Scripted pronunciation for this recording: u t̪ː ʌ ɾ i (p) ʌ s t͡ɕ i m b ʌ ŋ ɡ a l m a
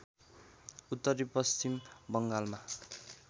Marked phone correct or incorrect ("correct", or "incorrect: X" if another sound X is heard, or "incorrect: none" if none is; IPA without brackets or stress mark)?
correct